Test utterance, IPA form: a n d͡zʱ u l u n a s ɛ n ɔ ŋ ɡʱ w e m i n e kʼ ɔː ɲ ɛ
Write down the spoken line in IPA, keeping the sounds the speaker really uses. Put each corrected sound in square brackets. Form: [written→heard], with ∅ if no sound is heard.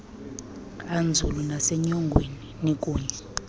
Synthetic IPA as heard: a n d͡zʱ u l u n a s ɛ [n→ɲ] ɔ ŋ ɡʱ w e [m→n] i n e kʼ [ɔː→uː] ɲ ɛ